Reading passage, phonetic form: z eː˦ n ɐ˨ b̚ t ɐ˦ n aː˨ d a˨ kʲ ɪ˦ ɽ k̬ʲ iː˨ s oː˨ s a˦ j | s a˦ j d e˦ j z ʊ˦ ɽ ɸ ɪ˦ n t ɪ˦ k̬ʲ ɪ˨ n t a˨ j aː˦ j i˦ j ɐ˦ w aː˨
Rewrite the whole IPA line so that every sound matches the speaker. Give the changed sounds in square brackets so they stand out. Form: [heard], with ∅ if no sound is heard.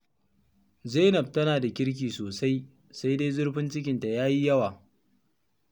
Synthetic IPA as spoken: z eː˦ n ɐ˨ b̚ t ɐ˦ n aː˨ d a˨ kʲ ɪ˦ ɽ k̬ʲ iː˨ s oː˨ s a˦ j | s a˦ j d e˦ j z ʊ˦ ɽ ɸ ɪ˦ n [t͡ʃ] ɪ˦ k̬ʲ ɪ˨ n t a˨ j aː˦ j i˦ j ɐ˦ w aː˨